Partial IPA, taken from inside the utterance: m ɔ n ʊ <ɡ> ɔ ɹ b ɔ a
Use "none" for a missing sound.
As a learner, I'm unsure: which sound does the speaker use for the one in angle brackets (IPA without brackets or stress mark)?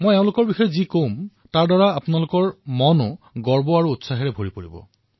ɡ